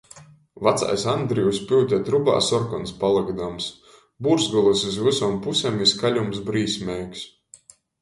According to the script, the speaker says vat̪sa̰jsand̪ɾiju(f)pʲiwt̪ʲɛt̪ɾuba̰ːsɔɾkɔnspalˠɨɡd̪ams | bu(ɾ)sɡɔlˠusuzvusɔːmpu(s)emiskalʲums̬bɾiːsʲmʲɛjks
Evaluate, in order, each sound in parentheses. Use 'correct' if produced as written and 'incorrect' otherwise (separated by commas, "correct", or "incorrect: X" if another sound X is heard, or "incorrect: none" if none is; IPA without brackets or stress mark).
incorrect: s, correct, correct